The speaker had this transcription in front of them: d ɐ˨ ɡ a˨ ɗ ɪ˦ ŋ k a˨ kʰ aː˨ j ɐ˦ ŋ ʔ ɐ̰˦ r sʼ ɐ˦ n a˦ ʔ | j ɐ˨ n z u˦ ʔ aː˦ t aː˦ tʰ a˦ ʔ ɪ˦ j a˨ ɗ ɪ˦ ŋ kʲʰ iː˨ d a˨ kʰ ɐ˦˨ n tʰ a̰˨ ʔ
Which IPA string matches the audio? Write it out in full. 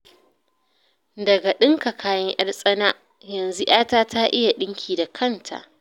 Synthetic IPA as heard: d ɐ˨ ɡ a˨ ɗ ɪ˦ ŋ k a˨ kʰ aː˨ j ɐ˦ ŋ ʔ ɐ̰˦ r sʼ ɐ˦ n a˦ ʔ | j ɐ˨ n z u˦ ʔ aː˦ t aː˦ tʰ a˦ ʔ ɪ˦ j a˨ ɗ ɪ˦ ŋ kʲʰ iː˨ d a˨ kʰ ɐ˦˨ n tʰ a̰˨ ʔ